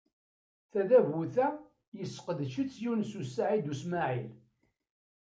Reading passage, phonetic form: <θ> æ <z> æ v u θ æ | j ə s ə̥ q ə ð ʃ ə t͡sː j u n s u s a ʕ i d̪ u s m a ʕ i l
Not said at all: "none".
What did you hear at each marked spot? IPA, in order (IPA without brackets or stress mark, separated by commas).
θ, ð